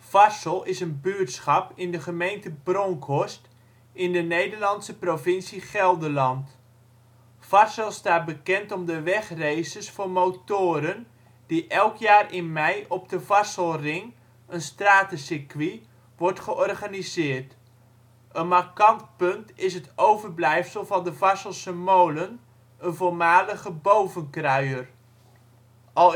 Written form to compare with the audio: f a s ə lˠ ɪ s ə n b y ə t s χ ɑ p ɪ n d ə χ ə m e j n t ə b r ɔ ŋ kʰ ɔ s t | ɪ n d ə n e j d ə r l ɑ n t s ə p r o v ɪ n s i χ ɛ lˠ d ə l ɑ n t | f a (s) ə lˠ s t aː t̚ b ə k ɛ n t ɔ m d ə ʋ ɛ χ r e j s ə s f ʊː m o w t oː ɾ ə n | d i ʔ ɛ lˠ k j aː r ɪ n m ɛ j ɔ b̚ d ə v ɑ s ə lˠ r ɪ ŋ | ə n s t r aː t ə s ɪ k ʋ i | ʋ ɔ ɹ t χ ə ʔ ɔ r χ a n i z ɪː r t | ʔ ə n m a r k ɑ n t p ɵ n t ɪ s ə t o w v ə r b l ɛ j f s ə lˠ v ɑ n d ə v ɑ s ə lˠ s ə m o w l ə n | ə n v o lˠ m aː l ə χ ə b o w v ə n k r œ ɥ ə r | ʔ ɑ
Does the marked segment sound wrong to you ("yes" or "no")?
no